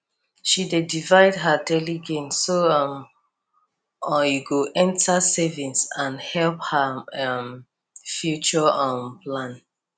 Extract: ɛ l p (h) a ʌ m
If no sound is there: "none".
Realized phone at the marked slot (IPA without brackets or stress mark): h